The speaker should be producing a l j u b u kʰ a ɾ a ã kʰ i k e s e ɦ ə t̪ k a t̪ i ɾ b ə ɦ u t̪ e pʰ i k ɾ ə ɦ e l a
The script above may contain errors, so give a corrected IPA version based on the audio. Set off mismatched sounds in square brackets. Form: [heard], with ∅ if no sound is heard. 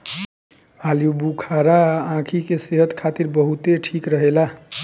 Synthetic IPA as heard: a l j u b u kʰ a ɾ a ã kʰ i k e s e ɦ ə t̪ [kʰ] a t̪ i ɾ b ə ɦ u t̪ e [ʈʰ] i k ɾ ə ɦ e l a